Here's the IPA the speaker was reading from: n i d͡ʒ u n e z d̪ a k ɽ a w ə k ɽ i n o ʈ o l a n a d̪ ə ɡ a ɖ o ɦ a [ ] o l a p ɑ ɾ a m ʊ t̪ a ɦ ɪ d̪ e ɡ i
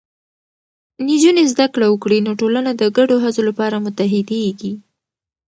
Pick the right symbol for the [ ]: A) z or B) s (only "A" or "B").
A